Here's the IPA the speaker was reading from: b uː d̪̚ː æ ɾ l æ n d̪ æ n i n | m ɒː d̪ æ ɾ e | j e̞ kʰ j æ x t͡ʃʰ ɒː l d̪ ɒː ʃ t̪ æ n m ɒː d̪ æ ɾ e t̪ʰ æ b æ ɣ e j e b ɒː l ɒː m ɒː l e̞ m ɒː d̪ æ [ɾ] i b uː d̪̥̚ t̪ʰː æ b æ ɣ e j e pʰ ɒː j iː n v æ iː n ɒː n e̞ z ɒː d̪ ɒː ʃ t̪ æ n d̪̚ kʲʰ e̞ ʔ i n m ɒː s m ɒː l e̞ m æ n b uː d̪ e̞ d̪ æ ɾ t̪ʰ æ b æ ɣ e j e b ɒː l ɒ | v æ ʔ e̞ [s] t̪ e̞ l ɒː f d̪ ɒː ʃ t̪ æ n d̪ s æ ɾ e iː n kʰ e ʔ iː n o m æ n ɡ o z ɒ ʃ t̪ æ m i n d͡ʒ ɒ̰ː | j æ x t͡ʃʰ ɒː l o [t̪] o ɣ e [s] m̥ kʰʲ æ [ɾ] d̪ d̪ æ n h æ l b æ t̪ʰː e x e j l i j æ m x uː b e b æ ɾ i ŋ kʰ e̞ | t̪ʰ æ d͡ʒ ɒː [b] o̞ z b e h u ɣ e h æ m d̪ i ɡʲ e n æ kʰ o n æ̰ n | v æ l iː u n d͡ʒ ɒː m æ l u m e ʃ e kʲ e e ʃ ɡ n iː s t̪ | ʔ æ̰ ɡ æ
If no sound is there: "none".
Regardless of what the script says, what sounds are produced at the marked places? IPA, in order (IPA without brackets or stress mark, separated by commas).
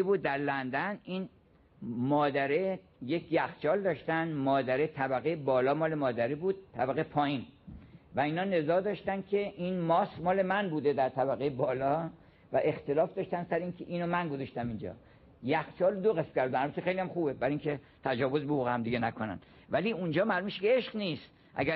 ɾ, x, d̪, s, ɾ, v